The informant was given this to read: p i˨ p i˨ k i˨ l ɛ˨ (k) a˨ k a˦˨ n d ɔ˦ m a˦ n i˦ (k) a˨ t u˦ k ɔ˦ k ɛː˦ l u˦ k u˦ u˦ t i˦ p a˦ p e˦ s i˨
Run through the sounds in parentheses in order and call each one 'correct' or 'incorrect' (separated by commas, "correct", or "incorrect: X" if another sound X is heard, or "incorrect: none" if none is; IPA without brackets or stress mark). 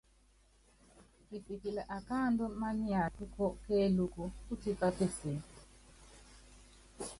incorrect: ʔ, incorrect: none